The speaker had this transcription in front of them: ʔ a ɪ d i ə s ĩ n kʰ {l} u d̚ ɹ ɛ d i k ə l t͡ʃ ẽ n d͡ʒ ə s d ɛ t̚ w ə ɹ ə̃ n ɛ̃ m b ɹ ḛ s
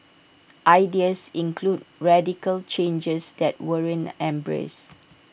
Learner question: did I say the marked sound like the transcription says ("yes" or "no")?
yes